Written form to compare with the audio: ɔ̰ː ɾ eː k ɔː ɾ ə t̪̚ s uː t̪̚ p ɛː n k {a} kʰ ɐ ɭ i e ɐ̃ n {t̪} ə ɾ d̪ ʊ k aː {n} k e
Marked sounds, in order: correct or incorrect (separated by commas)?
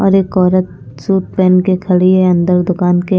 incorrect, incorrect, correct